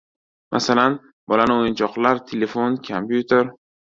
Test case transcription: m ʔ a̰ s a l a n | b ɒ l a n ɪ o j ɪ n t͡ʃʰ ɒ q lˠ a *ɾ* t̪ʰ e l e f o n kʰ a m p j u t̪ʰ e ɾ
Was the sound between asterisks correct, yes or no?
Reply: yes